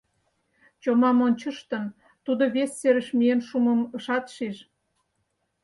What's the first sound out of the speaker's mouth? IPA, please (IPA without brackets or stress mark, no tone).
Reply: t͡ɕ